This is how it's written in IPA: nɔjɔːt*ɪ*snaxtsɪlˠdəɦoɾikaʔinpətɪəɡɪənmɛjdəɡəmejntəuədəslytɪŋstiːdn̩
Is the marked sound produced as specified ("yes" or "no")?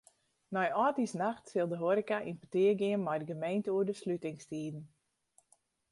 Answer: no